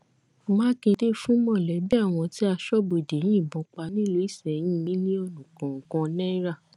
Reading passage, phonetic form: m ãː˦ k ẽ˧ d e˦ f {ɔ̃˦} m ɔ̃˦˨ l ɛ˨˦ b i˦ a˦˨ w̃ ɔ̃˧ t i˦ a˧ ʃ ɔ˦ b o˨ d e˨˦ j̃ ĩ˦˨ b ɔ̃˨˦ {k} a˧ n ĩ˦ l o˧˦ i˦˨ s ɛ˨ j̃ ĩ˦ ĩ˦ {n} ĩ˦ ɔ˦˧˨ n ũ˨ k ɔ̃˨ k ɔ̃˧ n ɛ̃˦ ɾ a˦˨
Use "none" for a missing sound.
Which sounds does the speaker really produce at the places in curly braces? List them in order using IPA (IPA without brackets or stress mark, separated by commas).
ũ˦, k͡p, n